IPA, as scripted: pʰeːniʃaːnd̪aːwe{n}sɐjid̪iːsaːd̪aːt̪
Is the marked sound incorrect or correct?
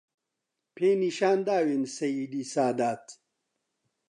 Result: correct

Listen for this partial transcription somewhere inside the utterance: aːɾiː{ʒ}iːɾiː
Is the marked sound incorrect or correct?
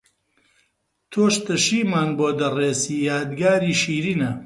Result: incorrect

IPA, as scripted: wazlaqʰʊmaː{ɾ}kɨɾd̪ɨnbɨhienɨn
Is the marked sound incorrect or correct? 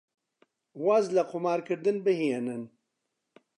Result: correct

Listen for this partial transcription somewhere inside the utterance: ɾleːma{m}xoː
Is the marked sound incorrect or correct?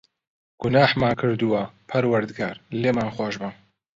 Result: incorrect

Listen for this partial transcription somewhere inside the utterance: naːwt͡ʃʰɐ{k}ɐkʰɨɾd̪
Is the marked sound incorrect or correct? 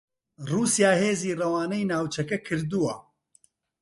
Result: correct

